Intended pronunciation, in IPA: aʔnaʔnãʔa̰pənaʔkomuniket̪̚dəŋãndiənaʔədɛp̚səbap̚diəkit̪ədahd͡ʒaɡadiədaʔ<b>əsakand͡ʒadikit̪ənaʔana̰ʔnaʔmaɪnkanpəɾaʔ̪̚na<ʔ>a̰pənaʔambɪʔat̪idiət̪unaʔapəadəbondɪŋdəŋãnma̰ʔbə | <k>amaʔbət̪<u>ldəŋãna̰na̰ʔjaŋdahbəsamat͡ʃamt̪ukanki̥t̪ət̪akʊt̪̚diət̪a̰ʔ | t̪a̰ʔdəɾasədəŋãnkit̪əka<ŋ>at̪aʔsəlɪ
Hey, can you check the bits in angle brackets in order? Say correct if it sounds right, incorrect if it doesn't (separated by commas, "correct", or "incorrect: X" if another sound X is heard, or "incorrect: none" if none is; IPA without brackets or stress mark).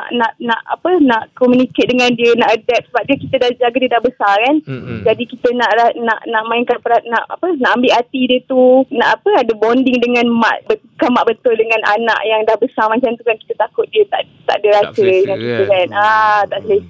correct, correct, correct, incorrect: ʊ, incorrect: n